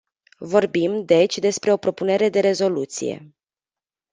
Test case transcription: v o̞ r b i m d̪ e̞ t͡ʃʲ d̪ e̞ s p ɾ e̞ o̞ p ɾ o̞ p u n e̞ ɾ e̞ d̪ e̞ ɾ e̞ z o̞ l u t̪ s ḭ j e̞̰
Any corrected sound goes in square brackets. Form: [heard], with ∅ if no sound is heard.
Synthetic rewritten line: v o̞ r b i m d̪ e̞ t͡ʃʲ d̪ e̞ s p ɾ e̞ o̞ p ɾ o̞ p u n e̞ ɾ e̞ d̪ e̞ ɾ e̞ z o̞ l u t̪ s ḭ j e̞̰